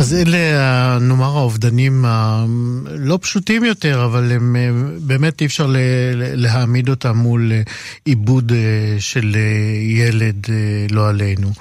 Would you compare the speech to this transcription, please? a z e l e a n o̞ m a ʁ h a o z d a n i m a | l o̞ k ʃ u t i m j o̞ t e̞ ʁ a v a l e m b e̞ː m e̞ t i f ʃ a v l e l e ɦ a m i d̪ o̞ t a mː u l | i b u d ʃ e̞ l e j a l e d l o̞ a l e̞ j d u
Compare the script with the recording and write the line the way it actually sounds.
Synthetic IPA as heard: a z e l e a n o̞ m a ʁ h a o v d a n i m a | l o̞ p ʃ u t i m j o̞ t e̞ ʁ a v a l e m b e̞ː m e̞ t i f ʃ a ʁ l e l e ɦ a m i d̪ o̞ t a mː u l | i b u d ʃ e̞ l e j e l e d l o̞ a l e̞ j n u